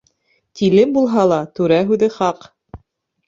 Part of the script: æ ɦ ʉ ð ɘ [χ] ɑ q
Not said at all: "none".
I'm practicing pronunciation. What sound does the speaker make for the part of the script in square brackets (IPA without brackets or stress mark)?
χ